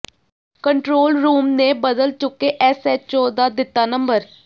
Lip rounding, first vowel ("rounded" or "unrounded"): unrounded